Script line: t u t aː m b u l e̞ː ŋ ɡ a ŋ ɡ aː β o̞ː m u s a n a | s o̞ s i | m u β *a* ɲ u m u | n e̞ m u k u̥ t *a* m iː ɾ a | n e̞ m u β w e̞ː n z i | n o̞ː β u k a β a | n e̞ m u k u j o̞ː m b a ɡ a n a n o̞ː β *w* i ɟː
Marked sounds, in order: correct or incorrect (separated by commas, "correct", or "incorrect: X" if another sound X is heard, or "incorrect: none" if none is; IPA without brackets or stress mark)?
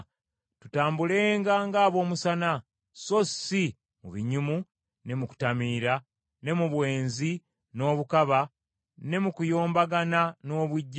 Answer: incorrect: i, correct, correct